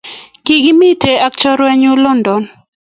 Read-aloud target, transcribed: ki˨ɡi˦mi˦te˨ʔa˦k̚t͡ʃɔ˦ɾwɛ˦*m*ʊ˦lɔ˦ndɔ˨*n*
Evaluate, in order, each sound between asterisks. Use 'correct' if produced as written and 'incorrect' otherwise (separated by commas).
incorrect, correct